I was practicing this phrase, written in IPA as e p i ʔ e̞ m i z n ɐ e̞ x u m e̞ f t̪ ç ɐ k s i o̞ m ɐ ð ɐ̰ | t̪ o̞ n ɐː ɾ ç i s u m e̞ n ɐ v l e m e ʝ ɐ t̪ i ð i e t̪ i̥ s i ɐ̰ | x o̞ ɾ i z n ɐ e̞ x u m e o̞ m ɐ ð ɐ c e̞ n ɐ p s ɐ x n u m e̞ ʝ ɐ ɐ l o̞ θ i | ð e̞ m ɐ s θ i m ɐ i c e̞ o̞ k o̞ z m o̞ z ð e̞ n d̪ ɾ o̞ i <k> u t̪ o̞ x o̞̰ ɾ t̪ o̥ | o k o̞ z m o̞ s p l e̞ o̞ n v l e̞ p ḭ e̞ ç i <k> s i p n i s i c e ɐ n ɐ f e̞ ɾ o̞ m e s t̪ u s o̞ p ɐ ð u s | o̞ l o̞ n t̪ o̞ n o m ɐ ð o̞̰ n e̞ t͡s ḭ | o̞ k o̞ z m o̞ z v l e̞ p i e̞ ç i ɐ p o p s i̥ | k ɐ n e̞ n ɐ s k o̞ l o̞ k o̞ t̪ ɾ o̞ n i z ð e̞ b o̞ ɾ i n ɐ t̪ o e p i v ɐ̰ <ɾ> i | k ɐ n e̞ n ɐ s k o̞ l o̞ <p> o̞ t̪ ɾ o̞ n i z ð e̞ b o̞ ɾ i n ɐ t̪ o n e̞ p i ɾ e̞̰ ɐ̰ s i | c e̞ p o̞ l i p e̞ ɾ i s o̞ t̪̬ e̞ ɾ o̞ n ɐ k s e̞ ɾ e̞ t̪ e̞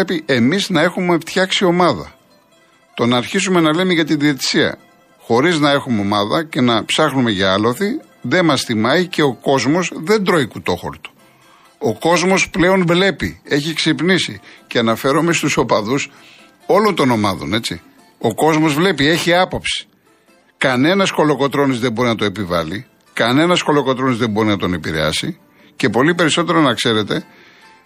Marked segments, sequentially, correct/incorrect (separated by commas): correct, correct, incorrect, incorrect